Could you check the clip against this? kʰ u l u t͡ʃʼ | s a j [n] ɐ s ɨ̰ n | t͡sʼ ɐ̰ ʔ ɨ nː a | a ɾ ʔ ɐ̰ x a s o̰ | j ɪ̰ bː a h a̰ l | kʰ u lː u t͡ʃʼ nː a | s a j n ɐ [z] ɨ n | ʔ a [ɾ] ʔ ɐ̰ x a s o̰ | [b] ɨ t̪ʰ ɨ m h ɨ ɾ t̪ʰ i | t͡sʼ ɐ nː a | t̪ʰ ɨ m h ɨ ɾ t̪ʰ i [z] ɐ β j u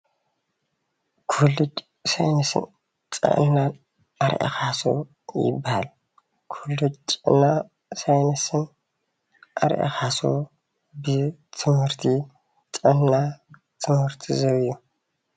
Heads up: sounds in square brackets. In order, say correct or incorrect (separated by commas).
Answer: correct, incorrect, correct, correct, correct